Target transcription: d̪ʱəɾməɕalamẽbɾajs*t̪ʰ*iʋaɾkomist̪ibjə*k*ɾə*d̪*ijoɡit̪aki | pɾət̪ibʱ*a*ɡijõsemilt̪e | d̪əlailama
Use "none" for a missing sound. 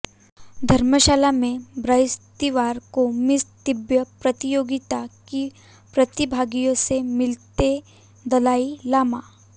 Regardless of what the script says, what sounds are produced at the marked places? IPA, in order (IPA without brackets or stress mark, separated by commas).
t̪, p, t̪, a